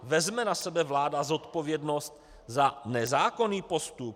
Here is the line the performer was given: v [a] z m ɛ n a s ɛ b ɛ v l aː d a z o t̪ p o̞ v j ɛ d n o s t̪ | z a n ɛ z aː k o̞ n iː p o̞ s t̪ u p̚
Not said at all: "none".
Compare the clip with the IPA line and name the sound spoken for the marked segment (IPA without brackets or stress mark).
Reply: ɛ